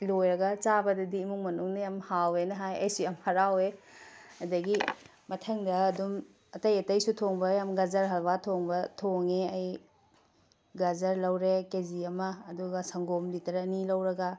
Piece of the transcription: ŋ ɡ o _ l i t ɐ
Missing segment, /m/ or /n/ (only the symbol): m